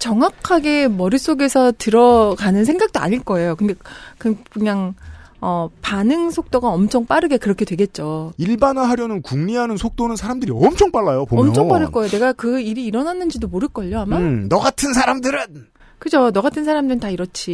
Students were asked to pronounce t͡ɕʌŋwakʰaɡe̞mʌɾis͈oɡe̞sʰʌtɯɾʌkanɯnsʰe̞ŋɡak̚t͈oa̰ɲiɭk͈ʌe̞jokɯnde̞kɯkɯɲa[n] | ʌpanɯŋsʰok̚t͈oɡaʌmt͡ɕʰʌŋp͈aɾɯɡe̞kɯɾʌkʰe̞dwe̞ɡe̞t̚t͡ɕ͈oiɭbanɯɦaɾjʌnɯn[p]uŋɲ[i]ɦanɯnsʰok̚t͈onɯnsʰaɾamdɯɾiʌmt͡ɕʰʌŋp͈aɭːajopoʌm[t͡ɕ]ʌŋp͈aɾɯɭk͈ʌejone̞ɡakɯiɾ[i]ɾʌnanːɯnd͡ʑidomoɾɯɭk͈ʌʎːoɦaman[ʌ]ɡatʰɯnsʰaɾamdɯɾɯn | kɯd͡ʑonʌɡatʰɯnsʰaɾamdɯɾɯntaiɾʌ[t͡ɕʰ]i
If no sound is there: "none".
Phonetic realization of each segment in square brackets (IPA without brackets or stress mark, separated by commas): ŋ, k, i, t͡ɕʰ, iː, ʌ, t͡ɕʰ